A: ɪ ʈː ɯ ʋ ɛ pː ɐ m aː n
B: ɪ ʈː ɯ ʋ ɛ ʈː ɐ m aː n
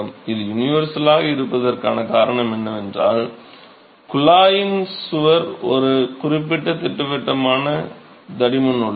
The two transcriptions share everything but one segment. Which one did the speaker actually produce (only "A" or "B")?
B